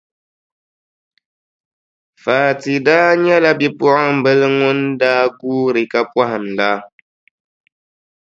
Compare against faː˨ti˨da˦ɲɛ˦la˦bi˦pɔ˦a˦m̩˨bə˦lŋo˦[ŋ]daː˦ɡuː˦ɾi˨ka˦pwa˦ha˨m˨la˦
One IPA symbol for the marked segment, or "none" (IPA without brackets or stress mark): n